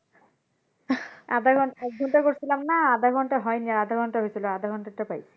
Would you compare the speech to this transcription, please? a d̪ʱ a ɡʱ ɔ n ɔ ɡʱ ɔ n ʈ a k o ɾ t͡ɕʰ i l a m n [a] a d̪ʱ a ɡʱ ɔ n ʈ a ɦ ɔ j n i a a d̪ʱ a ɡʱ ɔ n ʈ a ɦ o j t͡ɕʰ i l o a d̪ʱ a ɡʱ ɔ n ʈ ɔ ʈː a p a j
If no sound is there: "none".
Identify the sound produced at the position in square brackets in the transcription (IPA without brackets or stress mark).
a